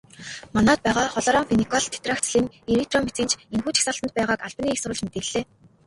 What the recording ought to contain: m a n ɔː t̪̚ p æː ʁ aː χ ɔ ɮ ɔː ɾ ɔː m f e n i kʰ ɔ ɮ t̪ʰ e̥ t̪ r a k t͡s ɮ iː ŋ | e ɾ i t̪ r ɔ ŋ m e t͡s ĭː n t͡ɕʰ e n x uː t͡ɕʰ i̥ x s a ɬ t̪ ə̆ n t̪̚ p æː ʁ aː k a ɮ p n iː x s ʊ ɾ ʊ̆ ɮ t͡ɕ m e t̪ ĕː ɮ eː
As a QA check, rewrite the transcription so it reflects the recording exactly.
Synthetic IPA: m a n ɔː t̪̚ p æː ʁ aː χ ɔ ɮ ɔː ɾ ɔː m f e n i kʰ ɔ ɮ t̪ʰ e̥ t̪ r a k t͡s ɮ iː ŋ | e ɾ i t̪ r ɔ m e t͡s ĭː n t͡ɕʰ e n x uː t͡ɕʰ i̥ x s a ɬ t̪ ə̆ n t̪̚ p æː ʁ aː k a ɮ p n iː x s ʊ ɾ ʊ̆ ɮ t͡ɕ m e t̪ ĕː ɮ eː